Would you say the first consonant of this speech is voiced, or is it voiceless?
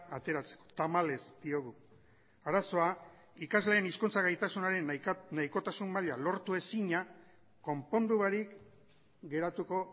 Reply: voiceless